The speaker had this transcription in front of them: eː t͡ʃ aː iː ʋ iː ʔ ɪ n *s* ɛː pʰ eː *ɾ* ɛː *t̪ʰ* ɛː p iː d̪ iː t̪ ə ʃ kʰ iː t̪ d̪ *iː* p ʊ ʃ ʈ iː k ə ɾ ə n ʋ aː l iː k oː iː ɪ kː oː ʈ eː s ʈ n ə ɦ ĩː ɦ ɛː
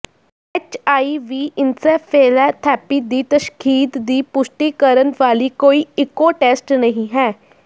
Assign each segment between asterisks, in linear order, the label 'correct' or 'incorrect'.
correct, incorrect, correct, correct

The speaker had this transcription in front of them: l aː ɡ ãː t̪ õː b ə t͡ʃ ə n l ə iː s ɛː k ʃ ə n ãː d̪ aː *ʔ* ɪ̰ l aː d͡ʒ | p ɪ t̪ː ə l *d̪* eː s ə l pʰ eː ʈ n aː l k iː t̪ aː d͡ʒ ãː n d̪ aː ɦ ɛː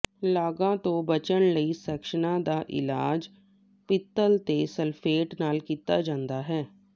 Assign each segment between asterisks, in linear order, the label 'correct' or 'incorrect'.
correct, incorrect

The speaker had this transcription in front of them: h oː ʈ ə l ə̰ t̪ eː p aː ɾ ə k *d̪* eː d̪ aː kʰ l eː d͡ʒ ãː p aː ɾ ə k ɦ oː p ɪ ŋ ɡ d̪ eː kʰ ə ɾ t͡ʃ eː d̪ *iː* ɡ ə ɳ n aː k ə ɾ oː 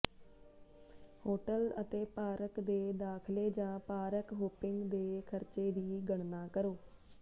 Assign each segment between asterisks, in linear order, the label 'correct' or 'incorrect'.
correct, correct

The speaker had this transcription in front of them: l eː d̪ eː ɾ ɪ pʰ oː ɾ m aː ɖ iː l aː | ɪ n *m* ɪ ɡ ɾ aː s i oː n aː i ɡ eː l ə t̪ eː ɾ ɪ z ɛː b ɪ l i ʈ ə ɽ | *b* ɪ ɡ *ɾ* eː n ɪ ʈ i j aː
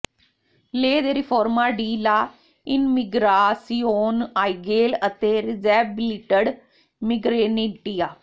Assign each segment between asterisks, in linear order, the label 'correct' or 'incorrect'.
correct, incorrect, correct

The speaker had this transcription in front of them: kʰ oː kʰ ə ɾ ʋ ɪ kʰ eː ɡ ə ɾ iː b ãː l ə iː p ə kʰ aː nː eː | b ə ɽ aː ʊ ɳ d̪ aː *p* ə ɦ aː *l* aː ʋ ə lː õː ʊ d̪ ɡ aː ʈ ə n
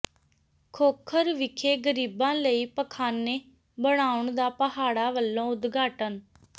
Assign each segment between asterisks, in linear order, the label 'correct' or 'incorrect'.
correct, incorrect

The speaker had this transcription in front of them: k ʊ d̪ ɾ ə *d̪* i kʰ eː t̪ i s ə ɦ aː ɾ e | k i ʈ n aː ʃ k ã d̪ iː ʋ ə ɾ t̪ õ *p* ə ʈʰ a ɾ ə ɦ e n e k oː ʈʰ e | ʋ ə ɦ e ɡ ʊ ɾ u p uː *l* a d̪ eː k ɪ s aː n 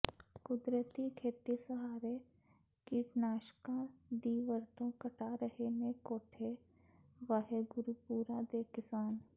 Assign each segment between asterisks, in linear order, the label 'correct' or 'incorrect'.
incorrect, incorrect, incorrect

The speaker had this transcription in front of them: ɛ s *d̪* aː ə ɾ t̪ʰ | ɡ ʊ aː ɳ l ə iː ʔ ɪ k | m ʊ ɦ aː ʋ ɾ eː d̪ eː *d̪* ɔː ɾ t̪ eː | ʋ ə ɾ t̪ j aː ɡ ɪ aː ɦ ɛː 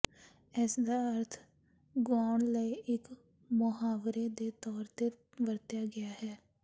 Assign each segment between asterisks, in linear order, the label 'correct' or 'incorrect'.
correct, incorrect

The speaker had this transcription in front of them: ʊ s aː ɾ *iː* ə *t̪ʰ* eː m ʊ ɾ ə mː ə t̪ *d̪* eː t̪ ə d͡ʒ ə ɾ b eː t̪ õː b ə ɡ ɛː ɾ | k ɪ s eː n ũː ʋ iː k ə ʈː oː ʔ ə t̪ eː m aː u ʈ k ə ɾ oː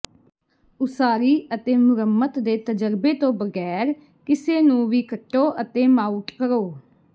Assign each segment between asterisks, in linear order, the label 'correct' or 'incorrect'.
correct, incorrect, correct

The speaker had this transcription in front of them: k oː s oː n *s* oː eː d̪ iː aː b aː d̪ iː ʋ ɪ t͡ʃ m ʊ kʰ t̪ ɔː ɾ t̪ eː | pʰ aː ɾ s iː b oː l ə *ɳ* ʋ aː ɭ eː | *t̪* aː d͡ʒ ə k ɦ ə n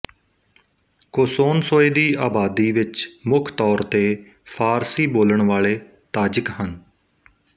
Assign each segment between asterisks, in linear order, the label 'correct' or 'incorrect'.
correct, correct, correct

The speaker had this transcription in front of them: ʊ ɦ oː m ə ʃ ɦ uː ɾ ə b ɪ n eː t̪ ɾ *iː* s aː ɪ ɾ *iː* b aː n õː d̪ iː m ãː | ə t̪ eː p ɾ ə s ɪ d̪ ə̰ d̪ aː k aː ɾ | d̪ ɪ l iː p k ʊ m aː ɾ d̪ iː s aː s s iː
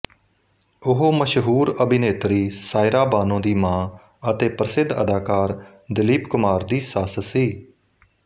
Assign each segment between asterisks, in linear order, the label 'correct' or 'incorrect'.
correct, incorrect

